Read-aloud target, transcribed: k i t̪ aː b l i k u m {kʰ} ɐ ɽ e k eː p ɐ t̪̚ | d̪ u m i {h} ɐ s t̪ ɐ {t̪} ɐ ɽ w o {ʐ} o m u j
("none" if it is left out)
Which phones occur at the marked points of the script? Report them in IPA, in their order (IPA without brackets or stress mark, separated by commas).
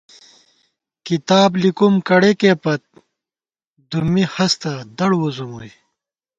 k, h, d̪, z